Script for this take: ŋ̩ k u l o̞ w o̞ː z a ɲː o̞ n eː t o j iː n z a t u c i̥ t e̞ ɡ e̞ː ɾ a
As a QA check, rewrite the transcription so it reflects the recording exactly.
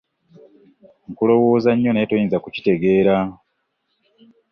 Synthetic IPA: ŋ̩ k u l o̞ w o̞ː z a ɲː o̞ n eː t o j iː n z a k u c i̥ t e̞ ɡ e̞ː ɾ a